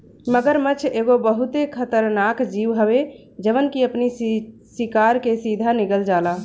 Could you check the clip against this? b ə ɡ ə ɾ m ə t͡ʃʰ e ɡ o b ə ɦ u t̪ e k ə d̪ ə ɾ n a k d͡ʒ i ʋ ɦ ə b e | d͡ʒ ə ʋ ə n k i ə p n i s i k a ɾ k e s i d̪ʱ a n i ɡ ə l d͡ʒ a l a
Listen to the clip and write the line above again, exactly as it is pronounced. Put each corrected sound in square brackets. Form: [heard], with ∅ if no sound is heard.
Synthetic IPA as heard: [m] ə ɡ ə ɾ m ə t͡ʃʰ e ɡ o b ə ɦ u t̪ e [kʰ] ə [t̪] ə ɾ n a k d͡ʒ i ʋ ɦ ə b e | d͡ʒ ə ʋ ə n k i ə p n i s i k a ɾ k e s i d̪ʱ a n i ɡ ə l d͡ʒ a l a